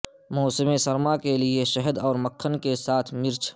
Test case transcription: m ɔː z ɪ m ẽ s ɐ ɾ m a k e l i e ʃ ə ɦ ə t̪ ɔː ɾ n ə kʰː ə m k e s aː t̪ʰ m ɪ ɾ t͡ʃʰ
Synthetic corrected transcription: m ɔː s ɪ m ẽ s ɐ ɾ m a k e l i e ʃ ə ɦ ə d̪ ɔː ɾ m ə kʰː ə n k e s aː t̪ʰ m ɪ ɾ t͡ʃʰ